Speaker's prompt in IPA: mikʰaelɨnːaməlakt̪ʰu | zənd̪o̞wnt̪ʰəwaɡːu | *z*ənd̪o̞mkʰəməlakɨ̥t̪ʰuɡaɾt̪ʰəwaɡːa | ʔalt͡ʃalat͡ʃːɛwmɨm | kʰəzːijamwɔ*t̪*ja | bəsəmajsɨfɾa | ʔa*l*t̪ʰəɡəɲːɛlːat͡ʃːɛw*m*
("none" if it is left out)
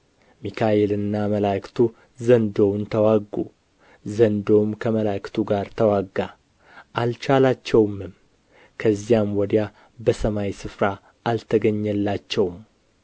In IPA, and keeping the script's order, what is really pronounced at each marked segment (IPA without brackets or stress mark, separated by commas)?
z, d̪, l, m